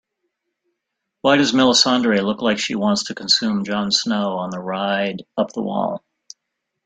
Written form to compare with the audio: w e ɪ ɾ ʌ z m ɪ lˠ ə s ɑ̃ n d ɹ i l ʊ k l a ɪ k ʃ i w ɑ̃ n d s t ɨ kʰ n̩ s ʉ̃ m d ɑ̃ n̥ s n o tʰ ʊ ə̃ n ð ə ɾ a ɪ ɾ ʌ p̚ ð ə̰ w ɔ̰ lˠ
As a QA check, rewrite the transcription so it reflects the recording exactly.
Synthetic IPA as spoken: w a ɪ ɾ ʌ z m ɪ lˠ ə s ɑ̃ n d ɹ i l ʊ k l a ɪ k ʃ i w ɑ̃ n t s tʰ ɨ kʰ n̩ s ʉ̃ m d͡ʒ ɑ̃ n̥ s n o ʊ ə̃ n ð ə ɹ a ɪ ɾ ʌ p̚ ð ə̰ w ɔ̰ lˠ